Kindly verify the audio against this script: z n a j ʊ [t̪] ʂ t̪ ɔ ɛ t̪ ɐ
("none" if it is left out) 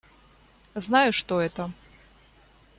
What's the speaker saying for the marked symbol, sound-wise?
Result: none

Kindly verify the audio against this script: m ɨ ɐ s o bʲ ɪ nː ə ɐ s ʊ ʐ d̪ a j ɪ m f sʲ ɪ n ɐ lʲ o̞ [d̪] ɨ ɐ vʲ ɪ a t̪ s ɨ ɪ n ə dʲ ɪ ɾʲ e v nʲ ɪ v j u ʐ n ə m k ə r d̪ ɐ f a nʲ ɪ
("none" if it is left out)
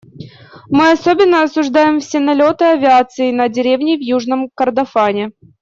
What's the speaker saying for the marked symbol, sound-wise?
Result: t̪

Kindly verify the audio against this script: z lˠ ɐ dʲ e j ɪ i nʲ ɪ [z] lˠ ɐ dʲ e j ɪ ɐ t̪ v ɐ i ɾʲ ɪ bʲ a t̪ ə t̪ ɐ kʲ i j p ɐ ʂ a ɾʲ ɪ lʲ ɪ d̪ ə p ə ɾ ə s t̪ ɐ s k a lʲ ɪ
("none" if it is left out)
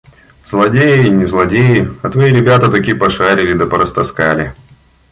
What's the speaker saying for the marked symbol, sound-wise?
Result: z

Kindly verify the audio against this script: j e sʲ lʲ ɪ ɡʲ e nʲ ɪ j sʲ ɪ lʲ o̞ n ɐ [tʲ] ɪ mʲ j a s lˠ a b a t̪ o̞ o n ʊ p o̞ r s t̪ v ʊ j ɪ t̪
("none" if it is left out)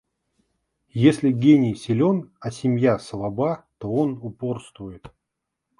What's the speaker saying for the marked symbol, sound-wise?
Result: sʲ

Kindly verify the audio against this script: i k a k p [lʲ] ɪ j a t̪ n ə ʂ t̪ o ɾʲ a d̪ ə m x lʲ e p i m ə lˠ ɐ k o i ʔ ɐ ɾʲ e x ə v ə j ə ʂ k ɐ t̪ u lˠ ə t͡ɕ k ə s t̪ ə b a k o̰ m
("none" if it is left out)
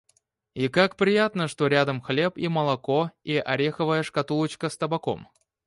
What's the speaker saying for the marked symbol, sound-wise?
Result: ɾʲ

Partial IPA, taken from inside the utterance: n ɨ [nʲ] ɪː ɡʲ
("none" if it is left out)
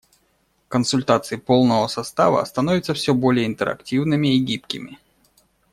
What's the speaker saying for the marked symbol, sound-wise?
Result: mʲ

